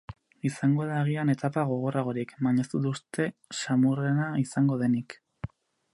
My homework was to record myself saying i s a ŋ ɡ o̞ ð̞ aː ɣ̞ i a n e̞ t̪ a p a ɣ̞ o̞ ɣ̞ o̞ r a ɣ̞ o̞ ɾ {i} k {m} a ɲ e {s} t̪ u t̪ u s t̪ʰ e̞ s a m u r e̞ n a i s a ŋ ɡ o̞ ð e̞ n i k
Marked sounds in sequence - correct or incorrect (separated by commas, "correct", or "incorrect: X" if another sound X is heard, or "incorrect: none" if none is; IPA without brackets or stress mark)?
correct, correct, correct